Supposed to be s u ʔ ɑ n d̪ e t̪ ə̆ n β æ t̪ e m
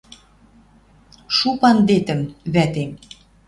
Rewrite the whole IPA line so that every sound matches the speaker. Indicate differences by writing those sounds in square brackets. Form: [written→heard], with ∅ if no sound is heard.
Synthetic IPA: [s→ʃ] u [ʔ→p] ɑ n d̪ e t̪ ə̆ [n→m] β æ t̪ e m